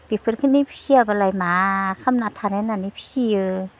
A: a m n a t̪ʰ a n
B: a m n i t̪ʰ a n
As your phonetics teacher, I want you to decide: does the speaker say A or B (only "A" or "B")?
A